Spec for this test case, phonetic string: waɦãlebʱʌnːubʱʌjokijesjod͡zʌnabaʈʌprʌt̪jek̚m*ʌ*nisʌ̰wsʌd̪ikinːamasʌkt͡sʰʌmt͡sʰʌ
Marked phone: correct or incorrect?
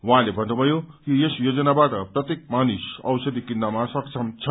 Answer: incorrect: a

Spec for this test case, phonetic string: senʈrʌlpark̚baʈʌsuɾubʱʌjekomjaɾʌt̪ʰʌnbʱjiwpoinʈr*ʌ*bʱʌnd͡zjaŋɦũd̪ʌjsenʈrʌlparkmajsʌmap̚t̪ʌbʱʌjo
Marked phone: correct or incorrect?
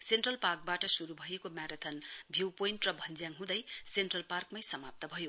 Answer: correct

